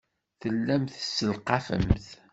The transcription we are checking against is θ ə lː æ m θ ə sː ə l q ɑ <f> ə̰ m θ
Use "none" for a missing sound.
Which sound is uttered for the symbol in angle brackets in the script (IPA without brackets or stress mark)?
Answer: f